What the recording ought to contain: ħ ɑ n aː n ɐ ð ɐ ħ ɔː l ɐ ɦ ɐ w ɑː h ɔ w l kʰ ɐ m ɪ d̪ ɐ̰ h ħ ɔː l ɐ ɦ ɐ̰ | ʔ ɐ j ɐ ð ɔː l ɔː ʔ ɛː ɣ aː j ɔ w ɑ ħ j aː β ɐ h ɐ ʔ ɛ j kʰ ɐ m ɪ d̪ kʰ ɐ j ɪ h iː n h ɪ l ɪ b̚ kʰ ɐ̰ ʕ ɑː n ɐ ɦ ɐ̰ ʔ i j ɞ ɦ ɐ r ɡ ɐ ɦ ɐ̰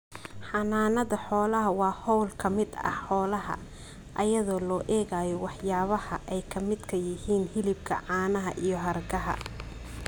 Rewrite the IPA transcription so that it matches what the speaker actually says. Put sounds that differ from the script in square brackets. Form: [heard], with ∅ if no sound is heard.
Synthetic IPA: ħ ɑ n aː n ɐ ð ɐ ħ ɔː l ɐ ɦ ɐ w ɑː h ɔ w l kʰ ɐ m ɪ d̪ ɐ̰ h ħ ɔː l ɐ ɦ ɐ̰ | ʔ ɐ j ɐ ð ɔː l ɔː ʔ ɛː ɣ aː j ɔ w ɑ ħ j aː β ɐ h ɐ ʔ ɛ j kʰ ɐ m ɪ d̪ kʰ ɐ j ɪ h iː n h ɪ l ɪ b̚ kʰ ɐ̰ ʕ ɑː n ɐ ɦ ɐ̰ ʔ i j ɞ ɦ ɐ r ɡ ɐ ɦ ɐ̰